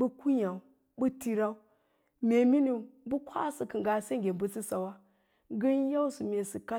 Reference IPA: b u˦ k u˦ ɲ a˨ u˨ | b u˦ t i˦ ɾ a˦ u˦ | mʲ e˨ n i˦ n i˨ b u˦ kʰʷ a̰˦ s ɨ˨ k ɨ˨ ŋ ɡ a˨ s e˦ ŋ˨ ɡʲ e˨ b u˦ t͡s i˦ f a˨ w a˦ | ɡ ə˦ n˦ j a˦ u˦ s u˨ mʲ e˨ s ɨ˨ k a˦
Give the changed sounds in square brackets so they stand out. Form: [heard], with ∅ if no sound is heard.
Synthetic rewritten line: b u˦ k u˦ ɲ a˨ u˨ | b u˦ t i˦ ɾ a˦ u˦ | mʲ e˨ [m] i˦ n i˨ b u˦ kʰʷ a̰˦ s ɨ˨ k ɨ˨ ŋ ɡ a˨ s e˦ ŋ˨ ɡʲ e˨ b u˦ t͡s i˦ [s] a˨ w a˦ | ɡ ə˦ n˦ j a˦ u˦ s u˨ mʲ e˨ s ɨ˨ k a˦